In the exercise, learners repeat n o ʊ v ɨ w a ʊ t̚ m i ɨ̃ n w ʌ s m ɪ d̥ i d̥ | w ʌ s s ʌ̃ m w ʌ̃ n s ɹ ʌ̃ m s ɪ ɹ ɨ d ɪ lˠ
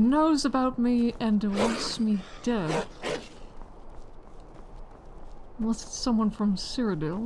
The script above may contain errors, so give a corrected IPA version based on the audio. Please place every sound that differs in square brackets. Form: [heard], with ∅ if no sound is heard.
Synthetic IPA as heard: n o ʊ [z] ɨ [b] a ʊ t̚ m i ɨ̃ n w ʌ s m [i] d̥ [ɛ] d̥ | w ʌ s s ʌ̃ m w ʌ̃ n [f] ɹ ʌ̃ m s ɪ ɹ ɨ d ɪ lˠ